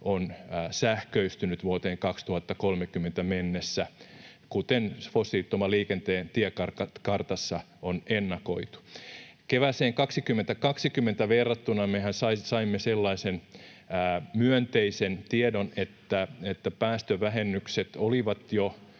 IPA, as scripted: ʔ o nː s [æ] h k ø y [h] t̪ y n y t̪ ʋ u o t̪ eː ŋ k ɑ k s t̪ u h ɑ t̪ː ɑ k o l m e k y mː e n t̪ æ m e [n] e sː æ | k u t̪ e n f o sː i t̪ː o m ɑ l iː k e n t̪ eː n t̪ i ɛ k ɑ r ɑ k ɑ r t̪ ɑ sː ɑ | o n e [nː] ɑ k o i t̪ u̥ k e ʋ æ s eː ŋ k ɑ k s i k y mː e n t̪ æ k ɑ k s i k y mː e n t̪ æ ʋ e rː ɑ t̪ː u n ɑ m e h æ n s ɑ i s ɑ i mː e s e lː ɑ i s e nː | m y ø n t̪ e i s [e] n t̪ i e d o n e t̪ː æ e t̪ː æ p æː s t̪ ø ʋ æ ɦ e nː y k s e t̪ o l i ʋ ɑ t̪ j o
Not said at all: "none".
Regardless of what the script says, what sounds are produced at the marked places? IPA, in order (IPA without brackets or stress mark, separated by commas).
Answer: æ, s, nː, nː, e